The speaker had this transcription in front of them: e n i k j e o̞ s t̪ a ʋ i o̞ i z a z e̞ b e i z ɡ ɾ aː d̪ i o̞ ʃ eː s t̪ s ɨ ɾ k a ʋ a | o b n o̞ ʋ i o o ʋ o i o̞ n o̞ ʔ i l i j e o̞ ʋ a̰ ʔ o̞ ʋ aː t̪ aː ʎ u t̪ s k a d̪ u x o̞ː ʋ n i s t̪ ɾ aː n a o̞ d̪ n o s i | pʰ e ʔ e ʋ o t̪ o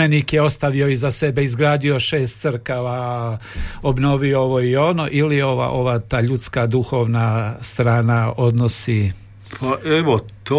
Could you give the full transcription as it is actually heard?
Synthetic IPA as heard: e n i k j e o̞ s t̪ a ʋ i o̞ i z a s e̞ b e i z ɡ ɾ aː d̪ i o̞ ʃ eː s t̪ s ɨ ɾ k a ʋ a | o b n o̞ ʋ i o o ʋ o i o̞ n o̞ ʔ i l i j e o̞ ʋ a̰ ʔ o̞ ʋ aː t̪ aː ʎ u t̪ s k a d̪ u x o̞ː ʋ n a s t̪ ɾ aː n a o̞ d̪ n o s i | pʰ a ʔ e ʋ o t̪ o